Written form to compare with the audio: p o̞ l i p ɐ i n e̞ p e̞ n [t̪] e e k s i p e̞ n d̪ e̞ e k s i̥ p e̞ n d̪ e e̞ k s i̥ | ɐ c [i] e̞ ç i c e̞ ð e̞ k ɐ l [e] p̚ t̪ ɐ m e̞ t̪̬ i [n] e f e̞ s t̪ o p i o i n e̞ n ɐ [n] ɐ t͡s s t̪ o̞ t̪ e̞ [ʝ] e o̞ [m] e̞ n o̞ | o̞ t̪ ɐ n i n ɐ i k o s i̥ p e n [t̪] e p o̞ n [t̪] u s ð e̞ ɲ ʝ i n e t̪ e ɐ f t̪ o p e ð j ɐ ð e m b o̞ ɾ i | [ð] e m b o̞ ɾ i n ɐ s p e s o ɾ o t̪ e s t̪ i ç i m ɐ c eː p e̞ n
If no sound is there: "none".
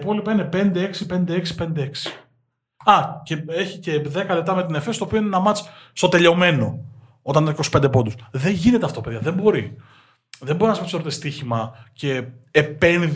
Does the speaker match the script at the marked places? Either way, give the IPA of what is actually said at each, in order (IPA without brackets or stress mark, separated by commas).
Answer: d̪, e, e, n, m, ʎ, m, d̪, d̪, ð